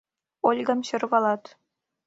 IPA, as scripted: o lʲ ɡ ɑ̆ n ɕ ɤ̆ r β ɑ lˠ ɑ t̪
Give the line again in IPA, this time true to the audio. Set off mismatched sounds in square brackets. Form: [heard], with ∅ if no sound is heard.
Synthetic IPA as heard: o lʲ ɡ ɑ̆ [m] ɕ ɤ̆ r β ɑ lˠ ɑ t̪